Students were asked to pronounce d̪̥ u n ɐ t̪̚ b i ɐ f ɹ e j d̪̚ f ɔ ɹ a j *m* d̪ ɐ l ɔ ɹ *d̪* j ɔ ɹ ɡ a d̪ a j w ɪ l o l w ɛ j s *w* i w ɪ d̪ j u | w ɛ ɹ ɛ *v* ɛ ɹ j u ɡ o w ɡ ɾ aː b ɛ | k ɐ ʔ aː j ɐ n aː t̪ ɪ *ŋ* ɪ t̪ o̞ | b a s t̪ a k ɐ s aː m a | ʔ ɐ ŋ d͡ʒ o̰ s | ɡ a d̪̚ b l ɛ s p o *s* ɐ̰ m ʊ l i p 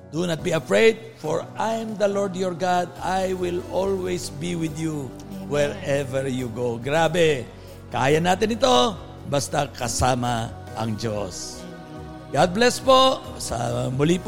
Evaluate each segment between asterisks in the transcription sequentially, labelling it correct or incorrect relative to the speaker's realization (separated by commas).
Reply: correct, correct, incorrect, correct, incorrect, correct